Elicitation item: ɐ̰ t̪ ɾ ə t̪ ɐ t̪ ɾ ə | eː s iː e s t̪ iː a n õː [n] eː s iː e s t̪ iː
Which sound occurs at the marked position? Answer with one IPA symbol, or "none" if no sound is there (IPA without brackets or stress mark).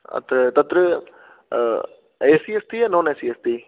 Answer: n